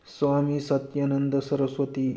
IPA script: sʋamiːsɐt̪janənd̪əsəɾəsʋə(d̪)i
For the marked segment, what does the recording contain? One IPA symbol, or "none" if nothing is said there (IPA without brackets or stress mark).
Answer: t̪